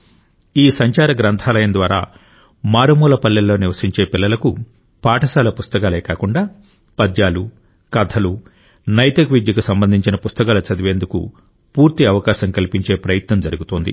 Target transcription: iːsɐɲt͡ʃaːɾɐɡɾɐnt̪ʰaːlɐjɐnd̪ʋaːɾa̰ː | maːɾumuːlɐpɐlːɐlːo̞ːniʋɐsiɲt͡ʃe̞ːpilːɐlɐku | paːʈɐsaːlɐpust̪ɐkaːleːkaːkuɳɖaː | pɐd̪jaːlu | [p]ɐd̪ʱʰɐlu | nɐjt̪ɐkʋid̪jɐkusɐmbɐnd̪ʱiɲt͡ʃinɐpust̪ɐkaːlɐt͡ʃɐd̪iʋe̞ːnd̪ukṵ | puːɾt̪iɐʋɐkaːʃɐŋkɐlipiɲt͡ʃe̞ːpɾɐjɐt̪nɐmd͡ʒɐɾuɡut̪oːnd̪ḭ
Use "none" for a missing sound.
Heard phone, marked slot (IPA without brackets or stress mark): k